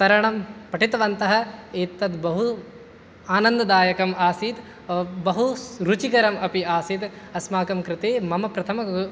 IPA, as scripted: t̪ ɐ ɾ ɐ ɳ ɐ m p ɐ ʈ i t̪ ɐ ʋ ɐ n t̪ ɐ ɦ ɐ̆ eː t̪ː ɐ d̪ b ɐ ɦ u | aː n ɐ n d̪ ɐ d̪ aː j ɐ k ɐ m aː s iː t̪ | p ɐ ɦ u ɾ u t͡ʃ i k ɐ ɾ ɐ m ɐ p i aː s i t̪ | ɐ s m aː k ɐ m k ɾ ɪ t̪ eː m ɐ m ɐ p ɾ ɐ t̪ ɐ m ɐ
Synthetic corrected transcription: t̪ ɐ ɾ ɐ ɳ ɐ m p ɐ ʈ i t̪ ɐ ʋ ɐ n t̪ ɐ ɦ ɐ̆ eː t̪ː ɐ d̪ b ɐ ɦ u | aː n ɐ n d̪ ɐ d̪ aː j ɐ k ɐ m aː s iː t̪ | b ɐ ɦ u ɾ u t͡ʃ i k ɐ ɾ ɐ m ɐ p i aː s i t̪ | ɐ s m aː k ɐ m k ɾ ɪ t̪ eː m ɐ m ɐ p ɾ ɐ t̪ʰ ɐ m ɐ